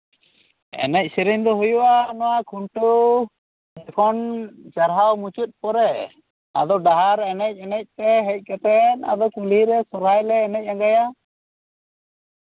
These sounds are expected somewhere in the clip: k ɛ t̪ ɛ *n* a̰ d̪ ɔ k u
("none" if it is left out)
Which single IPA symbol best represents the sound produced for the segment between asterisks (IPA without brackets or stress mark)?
n